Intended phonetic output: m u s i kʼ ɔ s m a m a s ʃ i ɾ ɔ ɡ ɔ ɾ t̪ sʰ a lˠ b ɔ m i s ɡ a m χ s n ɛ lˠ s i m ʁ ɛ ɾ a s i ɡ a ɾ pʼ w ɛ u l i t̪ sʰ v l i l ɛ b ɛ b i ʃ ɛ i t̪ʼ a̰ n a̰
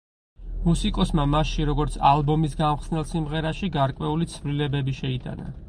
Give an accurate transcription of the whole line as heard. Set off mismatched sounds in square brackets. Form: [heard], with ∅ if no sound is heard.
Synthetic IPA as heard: m u s i kʼ ɔ s m a m a s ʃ i ɾ ɔ ɡ ɔ ɾ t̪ sʰ a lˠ b ɔ m i s ɡ a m χ s n ɛ lˠ s i m ʁ ɛ ɾ a [ʃ] i ɡ a ɾ [kʼ] w ɛ u l i t̪ sʰ v l i l ɛ b ɛ b i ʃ ɛ i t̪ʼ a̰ n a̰